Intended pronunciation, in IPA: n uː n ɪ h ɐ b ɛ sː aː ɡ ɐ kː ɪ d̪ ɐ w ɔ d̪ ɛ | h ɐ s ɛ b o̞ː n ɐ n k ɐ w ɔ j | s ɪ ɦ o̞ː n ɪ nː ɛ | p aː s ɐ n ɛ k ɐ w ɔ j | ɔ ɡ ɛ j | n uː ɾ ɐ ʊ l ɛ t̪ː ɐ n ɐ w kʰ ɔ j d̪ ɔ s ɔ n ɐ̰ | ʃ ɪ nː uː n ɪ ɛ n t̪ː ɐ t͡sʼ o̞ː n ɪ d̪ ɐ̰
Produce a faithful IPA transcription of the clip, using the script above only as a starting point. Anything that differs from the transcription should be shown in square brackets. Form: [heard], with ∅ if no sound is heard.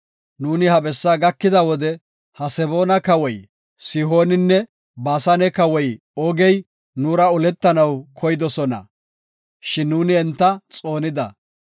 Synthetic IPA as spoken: n uː n ɪ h ɐ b ɛ sː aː ɡ ɐ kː ɪ d̪ ɐ w ɔ d̪ ɛ | h ɐ s ɛ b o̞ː n ɐ [∅] k ɐ w ɔ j | s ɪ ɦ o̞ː n ɪ nː ɛ | [b] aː s ɐ n ɛ k ɐ w ɔ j | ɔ ɡ ɛ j | n uː ɾ ɐ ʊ l ɛ t̪ː ɐ n ɐ w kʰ ɔ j d̪ ɔ s ɔ n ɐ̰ | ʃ ɪ nː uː n ɪ ɛ n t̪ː ɐ t͡sʼ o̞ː n ɪ d̪ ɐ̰